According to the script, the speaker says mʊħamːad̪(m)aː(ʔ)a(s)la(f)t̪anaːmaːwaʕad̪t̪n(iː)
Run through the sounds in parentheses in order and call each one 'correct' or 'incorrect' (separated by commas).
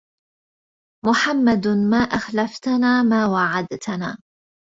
correct, correct, incorrect, correct, incorrect